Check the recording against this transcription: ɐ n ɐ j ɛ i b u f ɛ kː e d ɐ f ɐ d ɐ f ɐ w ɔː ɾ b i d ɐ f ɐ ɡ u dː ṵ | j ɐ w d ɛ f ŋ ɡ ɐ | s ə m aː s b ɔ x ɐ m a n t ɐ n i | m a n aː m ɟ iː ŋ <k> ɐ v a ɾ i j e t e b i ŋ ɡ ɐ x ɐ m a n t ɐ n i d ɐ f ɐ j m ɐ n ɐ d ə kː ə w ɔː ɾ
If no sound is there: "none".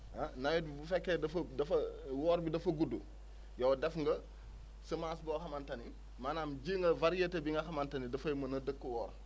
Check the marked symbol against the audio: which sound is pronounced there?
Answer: ɡ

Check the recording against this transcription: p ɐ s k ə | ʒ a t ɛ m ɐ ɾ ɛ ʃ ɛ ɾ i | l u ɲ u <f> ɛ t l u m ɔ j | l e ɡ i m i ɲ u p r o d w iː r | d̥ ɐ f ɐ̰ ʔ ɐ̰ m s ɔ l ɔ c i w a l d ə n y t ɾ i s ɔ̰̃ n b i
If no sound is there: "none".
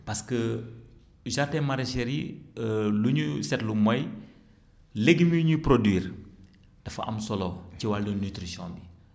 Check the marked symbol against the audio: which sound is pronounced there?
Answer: s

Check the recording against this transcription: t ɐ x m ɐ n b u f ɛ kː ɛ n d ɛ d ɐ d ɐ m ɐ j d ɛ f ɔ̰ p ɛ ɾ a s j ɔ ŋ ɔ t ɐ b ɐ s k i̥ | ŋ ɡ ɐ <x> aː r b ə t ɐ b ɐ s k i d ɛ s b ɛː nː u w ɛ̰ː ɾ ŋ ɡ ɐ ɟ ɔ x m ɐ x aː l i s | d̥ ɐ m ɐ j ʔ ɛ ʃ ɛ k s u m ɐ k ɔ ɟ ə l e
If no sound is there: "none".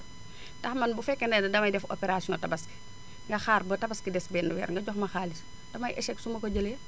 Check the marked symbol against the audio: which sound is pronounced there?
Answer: x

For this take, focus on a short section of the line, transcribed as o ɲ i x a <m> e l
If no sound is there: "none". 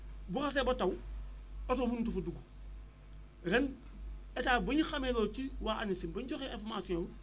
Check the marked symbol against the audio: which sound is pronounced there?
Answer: m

